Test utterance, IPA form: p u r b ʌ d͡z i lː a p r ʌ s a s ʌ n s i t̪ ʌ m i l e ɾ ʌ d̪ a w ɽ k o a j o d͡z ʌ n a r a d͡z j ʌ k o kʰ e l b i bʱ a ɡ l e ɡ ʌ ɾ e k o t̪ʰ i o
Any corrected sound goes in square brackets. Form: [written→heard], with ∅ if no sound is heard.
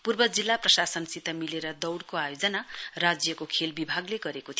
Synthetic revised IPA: p u r b ʌ d͡z i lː a p r ʌ s a s ʌ n s i t̪ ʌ m i l e ɾ ʌ d̪ [a→ʌ] w ɽ k o a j o d͡z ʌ n a r a d͡z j ʌ k o kʰ e l b i bʱ a ɡ l e ɡ ʌ ɾ e k o t̪ʰ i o